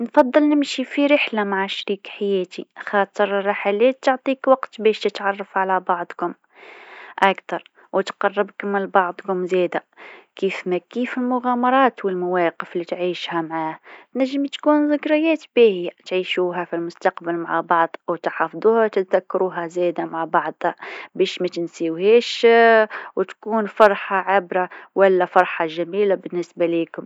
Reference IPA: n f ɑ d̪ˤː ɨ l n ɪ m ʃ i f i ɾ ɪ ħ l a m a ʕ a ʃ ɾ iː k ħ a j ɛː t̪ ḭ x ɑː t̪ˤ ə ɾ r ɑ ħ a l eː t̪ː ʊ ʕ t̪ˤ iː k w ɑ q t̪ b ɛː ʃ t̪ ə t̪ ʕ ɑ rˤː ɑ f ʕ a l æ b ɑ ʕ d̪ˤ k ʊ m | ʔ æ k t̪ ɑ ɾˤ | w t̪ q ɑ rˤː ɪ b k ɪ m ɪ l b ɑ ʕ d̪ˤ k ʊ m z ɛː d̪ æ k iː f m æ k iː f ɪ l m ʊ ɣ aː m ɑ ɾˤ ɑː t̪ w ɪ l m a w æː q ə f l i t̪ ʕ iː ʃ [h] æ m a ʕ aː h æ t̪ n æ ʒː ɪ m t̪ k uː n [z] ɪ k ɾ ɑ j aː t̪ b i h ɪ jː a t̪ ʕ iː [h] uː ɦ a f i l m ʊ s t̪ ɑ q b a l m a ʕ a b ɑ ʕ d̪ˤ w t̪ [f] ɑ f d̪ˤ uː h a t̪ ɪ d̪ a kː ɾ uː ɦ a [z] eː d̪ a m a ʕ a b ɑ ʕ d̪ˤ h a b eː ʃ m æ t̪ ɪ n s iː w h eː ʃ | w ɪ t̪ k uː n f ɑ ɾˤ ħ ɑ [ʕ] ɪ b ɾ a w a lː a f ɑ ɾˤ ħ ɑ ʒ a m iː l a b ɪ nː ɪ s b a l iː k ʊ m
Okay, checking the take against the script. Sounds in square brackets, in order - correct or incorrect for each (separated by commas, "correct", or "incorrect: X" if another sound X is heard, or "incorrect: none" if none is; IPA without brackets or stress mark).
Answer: correct, correct, incorrect: ʃ, incorrect: ħ, correct, correct